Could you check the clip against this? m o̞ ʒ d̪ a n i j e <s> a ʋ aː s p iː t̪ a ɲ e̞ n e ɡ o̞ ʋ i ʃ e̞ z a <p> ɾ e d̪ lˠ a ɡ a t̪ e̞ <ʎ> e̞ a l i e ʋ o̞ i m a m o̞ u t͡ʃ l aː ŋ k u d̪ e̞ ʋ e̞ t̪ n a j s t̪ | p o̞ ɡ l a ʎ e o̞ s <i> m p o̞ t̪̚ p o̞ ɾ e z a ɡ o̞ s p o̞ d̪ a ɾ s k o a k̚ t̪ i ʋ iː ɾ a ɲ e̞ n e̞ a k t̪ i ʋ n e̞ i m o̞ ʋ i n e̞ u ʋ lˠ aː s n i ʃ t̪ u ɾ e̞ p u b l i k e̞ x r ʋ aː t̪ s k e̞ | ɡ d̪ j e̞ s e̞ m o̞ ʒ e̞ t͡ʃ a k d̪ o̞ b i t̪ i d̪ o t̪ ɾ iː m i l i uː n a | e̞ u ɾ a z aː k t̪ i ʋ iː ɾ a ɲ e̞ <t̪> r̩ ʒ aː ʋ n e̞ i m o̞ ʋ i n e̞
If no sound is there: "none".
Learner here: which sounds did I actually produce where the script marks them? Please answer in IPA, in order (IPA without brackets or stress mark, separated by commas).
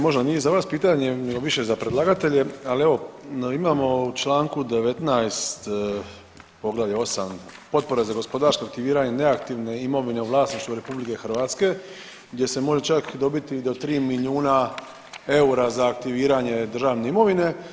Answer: z, p, ʎ, a, d̪